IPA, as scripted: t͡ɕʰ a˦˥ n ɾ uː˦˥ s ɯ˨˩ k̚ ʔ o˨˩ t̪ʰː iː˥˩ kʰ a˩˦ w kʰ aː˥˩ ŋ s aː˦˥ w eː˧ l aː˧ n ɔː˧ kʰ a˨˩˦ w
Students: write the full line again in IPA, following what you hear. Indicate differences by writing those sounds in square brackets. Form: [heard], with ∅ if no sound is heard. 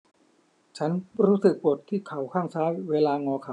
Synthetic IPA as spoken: t͡ɕʰ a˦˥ n ɾ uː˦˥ s ɯ˨˩ k̚ [p] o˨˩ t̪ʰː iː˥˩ kʰ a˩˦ w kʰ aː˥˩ ŋ s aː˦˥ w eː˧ l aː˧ [ŋ] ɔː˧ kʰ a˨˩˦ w